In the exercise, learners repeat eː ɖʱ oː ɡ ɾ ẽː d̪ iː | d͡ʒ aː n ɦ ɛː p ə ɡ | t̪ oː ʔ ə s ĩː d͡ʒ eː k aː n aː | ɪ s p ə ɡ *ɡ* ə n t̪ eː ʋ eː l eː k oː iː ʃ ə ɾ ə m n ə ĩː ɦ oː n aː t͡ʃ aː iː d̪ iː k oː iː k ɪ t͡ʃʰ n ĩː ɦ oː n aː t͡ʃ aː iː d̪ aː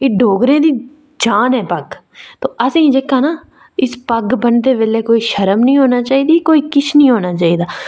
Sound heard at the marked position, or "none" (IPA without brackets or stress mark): b